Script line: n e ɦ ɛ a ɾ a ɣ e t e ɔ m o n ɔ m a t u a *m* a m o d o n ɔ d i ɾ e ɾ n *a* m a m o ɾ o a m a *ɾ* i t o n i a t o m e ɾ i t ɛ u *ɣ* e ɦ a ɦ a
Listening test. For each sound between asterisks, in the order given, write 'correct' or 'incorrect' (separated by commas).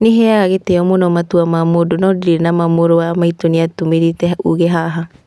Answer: correct, correct, incorrect, correct